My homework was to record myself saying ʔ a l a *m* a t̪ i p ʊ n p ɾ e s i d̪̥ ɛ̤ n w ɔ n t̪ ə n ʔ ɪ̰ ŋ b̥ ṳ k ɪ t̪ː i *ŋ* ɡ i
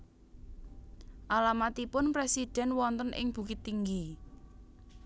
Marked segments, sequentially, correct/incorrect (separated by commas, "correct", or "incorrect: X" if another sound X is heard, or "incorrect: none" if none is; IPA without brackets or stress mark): correct, correct